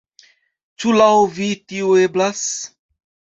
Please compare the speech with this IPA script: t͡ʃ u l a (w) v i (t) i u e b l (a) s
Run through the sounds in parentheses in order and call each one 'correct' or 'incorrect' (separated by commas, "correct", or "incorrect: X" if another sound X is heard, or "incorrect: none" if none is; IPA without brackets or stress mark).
correct, correct, correct